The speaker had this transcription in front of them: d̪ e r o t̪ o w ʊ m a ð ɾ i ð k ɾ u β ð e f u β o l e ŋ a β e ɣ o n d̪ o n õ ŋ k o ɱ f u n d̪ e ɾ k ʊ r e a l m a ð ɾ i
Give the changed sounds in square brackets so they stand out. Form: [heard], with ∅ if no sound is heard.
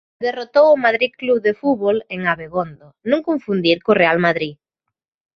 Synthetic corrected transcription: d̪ e r o t̪ o w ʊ m a ð ɾ i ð k [l] u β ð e f u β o l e ŋ a β e ɣ o n d̪ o n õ ŋ k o ɱ f u n d̪ [i] ɾ k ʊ r e a l m a ð ɾ i